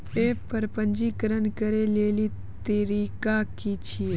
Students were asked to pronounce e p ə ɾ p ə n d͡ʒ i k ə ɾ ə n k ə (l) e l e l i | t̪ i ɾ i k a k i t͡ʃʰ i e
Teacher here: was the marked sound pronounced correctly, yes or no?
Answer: no